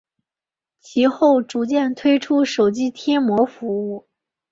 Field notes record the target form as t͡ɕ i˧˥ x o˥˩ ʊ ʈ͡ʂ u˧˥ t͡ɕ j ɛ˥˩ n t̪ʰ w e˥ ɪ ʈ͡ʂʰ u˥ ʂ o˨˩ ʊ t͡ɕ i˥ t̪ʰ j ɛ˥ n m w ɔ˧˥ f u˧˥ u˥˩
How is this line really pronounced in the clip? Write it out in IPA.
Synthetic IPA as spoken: t͡ɕʰ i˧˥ x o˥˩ ʊ ʈ͡ʂ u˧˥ t͡ɕ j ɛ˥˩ n t̪ʰ w e˥ ɪ ʈ͡ʂʰ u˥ ʂ o˨˩ ʊ t͡ɕ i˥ t̪ʰ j ɛ˥ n m w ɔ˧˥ f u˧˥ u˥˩

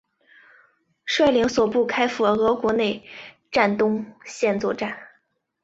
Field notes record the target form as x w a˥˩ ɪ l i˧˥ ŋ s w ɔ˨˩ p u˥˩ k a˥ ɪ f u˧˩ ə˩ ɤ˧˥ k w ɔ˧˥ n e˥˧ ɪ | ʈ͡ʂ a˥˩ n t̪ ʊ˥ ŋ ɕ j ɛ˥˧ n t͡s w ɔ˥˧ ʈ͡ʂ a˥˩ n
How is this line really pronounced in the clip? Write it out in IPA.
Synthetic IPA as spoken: ʂ w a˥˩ ɪ l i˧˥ ŋ s w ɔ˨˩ p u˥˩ kʰ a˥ ɪ f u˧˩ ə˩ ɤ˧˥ k w ɔ˧˥ n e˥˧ ɪ | ʈ͡ʂ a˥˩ n t̪ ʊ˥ ŋ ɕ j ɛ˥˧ n t͡s w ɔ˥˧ ʈ͡ʂ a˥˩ n

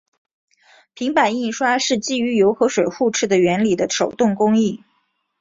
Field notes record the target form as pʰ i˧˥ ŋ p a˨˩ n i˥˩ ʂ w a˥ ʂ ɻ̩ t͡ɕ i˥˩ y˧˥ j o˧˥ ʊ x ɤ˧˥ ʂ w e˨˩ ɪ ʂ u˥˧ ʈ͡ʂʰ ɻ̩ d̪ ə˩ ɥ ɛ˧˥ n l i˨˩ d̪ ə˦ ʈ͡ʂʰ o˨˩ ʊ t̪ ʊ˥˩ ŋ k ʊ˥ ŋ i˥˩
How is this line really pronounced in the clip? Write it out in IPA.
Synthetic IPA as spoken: pʰ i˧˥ ŋ p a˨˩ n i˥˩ ʂ w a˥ ʂ ɻ̩ t͡ɕ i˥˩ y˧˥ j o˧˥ ʊ x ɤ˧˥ ʂ w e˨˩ ɪ x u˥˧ ʈ͡ʂʰ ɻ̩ d̪ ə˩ ɥ ɛ˧˥ n l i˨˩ d̪ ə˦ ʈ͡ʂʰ o˨˩ ʊ t̪ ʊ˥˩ ŋ k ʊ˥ ŋ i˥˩

